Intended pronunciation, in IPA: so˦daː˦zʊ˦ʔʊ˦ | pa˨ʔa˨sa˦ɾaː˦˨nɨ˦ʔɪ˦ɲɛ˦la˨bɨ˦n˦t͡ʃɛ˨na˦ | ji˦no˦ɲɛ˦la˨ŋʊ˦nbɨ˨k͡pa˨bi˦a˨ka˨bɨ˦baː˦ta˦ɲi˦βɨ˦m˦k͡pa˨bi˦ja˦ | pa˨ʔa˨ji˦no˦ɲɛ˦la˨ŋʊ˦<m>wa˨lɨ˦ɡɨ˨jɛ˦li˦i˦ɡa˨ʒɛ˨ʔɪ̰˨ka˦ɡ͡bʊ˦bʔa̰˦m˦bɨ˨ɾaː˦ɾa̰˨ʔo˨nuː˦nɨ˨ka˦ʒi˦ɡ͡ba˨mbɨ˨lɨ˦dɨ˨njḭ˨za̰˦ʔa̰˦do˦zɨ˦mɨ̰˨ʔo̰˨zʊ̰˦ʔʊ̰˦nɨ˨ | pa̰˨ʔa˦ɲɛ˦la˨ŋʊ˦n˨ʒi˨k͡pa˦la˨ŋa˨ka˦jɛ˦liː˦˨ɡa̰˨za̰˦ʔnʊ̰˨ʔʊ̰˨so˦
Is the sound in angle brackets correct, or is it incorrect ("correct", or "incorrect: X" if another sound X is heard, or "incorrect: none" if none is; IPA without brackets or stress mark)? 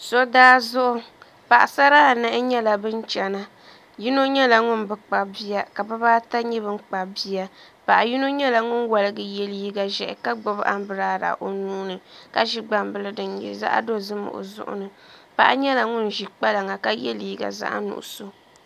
incorrect: n